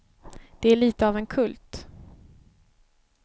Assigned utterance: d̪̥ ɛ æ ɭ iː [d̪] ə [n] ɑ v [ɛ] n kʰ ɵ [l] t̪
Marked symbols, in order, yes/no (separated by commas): no, no, yes, yes